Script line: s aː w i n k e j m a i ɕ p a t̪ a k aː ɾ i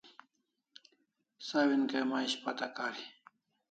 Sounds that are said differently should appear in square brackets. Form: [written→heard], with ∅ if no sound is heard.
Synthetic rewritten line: s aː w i n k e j m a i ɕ p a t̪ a k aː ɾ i

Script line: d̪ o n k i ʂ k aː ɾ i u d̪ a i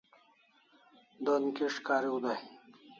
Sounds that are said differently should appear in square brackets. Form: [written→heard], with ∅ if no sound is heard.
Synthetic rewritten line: d̪ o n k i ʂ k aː ɾ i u d̪ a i

